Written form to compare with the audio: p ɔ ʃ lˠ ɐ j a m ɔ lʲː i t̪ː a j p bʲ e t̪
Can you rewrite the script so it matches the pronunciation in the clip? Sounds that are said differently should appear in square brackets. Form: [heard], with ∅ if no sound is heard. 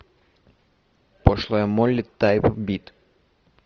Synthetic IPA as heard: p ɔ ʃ lˠ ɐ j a m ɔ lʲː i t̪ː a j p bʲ [i] t̪